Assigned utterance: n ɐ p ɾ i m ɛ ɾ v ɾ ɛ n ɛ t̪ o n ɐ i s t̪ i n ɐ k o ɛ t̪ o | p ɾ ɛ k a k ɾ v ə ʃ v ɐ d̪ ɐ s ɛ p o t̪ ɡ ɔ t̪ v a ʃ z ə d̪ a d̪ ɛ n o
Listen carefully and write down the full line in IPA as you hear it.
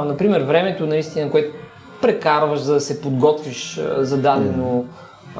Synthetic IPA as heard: n ɐ p ɾ i m ɛ ɾ v ɾ ɛ m ɛ t̪ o n ɐ i s t̪ i n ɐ k o ɛ t̪ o | p ɾ ɛ k a ɾ v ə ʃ z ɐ d̪ ɐ s ɛ p o d̪ ɡ ɔ t̪ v i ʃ z ɐ d̪ a d̪ ɛ n o